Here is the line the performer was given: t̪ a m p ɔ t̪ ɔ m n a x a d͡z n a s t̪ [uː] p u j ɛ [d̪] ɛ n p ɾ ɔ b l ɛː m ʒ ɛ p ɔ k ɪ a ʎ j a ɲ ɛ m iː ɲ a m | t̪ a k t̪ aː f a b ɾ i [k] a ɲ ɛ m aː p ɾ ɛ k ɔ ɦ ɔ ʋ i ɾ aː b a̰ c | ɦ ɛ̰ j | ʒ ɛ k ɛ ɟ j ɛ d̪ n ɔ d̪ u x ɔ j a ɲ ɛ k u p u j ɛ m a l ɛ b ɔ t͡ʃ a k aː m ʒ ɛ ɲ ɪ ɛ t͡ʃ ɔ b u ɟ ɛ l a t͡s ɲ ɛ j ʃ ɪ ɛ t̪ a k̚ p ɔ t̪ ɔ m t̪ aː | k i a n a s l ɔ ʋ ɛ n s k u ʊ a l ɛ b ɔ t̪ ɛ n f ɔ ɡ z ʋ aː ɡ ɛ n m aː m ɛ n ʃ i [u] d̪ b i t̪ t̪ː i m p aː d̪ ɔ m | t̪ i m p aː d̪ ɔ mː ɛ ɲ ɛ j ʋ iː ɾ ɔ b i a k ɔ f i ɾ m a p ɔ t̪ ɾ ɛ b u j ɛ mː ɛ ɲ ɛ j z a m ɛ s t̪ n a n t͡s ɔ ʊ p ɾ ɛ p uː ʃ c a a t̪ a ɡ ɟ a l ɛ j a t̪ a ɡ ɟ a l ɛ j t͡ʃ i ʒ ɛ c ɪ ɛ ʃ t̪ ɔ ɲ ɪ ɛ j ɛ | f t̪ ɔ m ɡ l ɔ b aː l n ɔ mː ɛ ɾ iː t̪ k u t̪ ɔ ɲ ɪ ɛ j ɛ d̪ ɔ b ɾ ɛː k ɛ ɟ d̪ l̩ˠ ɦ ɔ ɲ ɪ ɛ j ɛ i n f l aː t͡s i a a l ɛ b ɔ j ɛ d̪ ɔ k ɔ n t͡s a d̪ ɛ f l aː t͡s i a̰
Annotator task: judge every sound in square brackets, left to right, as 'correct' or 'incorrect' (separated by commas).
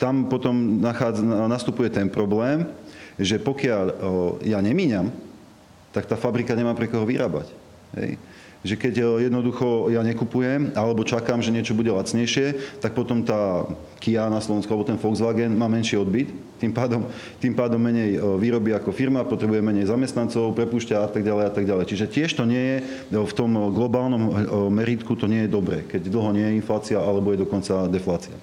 incorrect, incorrect, correct, incorrect